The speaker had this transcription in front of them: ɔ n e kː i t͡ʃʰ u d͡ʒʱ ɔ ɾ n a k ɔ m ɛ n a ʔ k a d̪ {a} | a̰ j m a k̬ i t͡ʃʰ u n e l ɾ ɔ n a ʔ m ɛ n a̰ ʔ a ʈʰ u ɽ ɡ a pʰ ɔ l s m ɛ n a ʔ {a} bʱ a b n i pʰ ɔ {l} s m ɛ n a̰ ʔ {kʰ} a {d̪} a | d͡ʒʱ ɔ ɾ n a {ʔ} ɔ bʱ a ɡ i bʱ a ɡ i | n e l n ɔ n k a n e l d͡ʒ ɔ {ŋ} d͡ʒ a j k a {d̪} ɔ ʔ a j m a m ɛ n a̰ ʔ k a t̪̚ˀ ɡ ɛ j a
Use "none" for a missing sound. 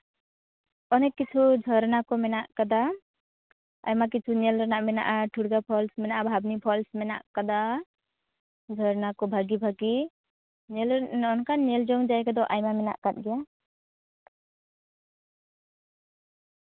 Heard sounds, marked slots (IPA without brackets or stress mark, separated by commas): a, a, l, k, d̪, k, ŋ, d̪